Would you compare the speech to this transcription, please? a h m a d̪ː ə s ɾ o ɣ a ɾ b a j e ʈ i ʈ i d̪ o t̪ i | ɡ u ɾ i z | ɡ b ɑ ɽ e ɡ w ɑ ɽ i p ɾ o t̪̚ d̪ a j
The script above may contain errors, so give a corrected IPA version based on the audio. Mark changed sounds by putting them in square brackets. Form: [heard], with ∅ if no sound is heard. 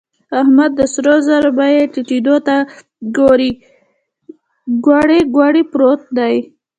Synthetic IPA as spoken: a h m a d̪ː ə s ɾ o [z] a ɾ b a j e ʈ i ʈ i d̪ o t̪ [a] | ɡ [o] ɾ i [∅] | ɡ [w] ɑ ɽ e ɡ w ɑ ɽ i p ɾ o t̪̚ d̪ a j